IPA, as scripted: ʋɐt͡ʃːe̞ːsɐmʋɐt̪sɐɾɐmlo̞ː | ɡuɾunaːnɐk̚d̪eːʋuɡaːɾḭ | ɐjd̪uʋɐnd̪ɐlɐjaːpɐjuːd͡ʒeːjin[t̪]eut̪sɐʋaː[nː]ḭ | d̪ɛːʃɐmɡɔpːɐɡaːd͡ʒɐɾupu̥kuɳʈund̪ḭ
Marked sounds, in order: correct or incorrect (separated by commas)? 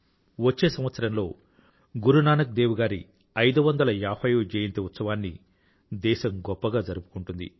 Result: correct, correct